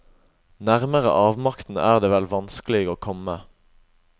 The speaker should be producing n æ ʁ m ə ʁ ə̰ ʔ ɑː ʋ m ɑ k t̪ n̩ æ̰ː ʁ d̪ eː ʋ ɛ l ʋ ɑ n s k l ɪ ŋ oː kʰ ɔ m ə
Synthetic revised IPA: n æ ʁ m ə ʁ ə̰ ʔ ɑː ʋ m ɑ k t̪ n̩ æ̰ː ʁ d̪ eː ʋ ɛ l ʋ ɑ n s k l ɪ ɡ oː kʰ ɔ m ə